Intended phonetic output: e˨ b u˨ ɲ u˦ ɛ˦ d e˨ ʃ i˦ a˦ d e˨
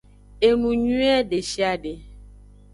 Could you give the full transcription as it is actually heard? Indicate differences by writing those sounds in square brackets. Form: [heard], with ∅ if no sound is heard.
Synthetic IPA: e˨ [m] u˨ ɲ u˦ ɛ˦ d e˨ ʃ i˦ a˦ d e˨